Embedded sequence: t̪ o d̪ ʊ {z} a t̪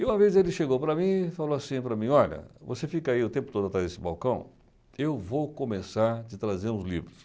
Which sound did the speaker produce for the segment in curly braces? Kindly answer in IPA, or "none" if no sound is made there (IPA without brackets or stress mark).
none